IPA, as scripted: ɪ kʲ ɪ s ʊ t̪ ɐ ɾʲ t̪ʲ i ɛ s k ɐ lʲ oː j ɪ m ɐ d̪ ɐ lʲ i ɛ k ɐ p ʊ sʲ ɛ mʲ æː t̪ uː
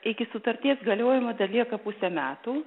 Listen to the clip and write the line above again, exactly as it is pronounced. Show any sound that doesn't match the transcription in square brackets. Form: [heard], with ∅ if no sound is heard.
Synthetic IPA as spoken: ɪ kʲ ɪ s ʊ t̪ ɐ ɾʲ t̪ʲ i ɛ s [ɡ] ɐ lʲ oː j ɪ m ɐ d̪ ɐ lʲ i ɛ k ɐ p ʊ sʲ ɛ mʲ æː t̪ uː

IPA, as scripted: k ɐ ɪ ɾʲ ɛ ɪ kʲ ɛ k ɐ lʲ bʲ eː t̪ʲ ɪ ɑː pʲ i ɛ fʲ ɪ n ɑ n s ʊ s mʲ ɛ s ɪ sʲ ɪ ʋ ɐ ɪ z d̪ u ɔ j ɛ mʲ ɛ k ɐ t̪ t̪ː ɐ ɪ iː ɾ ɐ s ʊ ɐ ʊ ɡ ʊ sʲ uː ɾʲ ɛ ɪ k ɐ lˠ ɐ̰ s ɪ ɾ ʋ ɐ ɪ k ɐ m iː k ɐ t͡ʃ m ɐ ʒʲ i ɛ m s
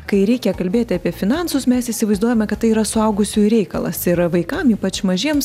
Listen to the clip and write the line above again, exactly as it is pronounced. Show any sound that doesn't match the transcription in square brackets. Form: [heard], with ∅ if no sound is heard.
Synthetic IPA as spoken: k ɐ ɪ ɾʲ ɛ ɪ kʲ ɛ k ɐ lʲ bʲ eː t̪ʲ ɪ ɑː pʲ i ɛ fʲ ɪ n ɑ n s ʊ s mʲ ɛ s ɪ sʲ ɪ ʋ ɐ ɪ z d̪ u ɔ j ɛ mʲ ɛ k ɐ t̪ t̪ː ɐ ɪ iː ɾ ɐ s ʊ ɐ ʊ ɡ ʊ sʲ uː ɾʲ ɛ ɪ k ɐ lˠ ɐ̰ s ɪ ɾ ʋ ɐ ɪ k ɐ m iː [p] ɐ t͡ʃ m ɐ ʒʲ i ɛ m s

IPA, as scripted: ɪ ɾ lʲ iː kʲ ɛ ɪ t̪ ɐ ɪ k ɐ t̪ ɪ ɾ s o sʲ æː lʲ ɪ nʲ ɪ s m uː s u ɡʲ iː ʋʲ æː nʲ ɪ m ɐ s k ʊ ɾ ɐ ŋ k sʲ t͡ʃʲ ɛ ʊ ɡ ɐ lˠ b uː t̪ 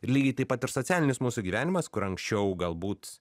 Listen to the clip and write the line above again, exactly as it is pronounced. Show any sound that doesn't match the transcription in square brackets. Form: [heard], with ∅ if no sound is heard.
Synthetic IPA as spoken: ɪ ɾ lʲ iː [ɡʲ] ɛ ɪ t̪ ɐ ɪ [p] ɐ t̪ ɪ ɾ s o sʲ æː lʲ ɪ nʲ ɪ s m uː s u ɡʲ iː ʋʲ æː nʲ ɪ m ɐ s k ʊ ɾ ɐ ŋ k sʲ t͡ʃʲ ɛ ʊ ɡ ɐ lˠ b uː t̪

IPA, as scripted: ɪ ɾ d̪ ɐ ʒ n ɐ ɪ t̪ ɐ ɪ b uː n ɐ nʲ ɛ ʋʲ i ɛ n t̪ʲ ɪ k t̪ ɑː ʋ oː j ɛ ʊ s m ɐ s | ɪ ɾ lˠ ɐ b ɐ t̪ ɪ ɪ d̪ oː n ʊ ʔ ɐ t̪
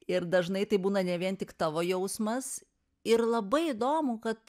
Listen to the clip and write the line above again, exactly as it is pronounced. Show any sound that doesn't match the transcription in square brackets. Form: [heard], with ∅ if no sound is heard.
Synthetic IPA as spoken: ɪ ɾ d̪ ɐ ʒ n ɐ ɪ t̪ ɐ ɪ b uː n ɐ nʲ ɛ ʋʲ i ɛ n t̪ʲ ɪ k t̪ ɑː ʋ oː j ɛ ʊ s m ɐ s | ɪ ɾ lˠ ɐ b ɐ [∅] ɪ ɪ d̪ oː [m] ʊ [k] ɐ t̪

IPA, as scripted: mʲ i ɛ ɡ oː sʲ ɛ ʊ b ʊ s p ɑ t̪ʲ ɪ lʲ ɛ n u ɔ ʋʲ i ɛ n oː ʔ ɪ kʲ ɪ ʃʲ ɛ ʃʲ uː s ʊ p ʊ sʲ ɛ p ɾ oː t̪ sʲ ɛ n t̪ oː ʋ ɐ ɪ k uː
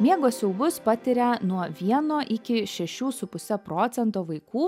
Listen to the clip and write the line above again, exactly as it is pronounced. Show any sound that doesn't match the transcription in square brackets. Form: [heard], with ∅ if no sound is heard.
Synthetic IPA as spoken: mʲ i ɛ ɡ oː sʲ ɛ ʊ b ʊ s p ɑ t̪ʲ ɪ [ɾʲ] ɛ n u ɔ ʋʲ i ɛ n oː ʔ ɪ kʲ ɪ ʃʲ ɛ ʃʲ uː s ʊ p ʊ sʲ ɛ p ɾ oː t̪ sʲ ɛ n t̪ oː ʋ ɐ ɪ k uː

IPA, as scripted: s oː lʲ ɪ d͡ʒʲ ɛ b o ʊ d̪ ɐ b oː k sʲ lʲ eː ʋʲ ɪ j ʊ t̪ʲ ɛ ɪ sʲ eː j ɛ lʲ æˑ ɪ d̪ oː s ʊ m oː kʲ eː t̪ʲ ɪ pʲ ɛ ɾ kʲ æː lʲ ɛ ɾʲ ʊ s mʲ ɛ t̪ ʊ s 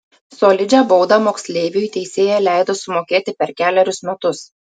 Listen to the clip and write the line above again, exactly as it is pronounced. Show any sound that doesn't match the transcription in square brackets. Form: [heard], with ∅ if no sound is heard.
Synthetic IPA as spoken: s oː lʲ ɪ d͡ʒʲ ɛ b o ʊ d̪ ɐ [m] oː k sʲ lʲ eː ʋʲ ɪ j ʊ t̪ʲ ɛ ɪ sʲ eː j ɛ lʲ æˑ ɪ d̪ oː s ʊ m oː kʲ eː t̪ʲ ɪ pʲ ɛ ɾ kʲ æː lʲ ɛ ɾʲ ʊ s mʲ ɛ t̪ ʊ s

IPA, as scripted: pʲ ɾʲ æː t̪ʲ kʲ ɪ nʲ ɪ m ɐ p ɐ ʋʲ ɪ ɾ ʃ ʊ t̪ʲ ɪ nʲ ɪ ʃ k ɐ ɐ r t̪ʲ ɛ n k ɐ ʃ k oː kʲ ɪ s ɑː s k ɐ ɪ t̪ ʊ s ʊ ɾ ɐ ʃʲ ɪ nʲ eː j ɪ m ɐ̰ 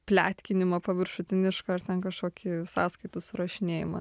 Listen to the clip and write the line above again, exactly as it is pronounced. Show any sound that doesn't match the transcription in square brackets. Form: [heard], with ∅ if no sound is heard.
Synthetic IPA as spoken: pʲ [lʲ] æː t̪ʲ kʲ ɪ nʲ ɪ m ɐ p ɐ ʋʲ ɪ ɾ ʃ ʊ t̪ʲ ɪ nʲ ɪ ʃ k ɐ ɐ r t̪ʲ ɛ n k ɐ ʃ k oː kʲ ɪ s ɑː s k ɐ ɪ t̪ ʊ s ʊ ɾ ɐ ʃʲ ɪ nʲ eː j ɪ m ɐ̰

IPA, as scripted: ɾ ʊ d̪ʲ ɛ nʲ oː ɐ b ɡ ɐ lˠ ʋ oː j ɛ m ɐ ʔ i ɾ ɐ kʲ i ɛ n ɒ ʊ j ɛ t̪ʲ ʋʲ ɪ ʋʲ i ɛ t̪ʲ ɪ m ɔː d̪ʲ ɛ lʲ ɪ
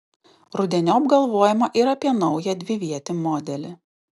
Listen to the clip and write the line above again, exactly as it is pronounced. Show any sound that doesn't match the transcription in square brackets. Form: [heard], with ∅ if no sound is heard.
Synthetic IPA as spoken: ɾ ʊ d̪ʲ ɛ nʲ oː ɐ b ɡ ɐ lˠ ʋ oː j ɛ m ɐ ʔ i ɾ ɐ [pʲ] i ɛ n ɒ ʊ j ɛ [d̪ʲ] ʋʲ ɪ ʋʲ i ɛ t̪ʲ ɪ m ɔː d̪ʲ ɛ lʲ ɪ

